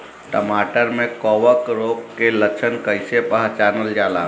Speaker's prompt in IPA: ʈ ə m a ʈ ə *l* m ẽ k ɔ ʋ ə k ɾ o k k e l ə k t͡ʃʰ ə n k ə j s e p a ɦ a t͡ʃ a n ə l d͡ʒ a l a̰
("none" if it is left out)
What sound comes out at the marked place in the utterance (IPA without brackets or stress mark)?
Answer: ɾ